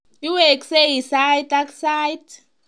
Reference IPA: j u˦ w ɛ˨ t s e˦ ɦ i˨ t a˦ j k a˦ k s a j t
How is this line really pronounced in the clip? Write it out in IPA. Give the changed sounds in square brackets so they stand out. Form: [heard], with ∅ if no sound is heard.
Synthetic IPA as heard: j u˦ w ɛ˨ [k] s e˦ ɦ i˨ [s] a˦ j [t] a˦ k s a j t